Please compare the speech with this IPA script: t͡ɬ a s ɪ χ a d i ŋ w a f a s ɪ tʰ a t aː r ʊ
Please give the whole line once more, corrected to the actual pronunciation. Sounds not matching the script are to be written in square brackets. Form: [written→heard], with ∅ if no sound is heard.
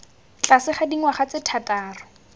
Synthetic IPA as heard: t͡ɬ a s ɪ χ a d i ŋ w a [f→χ] a [s→t͡s] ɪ tʰ a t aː r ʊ